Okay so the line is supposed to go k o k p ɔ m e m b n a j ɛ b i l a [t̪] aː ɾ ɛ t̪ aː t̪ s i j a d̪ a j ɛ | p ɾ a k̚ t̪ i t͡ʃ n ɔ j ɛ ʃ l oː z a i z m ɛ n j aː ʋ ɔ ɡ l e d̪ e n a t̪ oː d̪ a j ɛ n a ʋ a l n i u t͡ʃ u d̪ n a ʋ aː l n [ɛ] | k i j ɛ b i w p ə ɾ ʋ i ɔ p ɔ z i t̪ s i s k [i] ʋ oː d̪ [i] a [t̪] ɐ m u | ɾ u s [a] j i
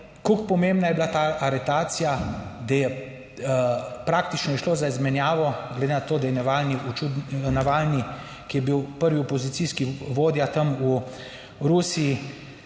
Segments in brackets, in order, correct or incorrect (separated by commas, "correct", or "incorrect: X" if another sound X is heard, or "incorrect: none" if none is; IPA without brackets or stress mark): correct, incorrect: i, correct, incorrect: j, correct, incorrect: i